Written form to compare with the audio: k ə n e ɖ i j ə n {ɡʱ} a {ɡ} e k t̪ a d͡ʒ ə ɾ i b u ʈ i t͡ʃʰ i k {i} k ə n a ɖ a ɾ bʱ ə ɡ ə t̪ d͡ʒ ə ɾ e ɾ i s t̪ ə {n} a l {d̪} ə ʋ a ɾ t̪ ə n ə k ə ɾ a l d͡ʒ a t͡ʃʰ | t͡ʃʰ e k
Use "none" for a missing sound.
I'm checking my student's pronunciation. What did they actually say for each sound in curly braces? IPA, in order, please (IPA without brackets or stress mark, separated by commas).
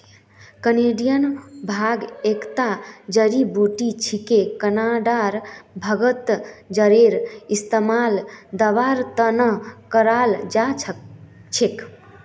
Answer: bʱ, ɡ, e, m, d̪